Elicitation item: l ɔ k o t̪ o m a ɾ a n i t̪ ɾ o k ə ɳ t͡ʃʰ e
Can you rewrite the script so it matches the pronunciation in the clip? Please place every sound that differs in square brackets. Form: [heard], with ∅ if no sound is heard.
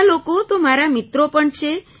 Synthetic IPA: l [o] k o t̪ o m a ɾ a [m] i t̪ ɾ o [p] ə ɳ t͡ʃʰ e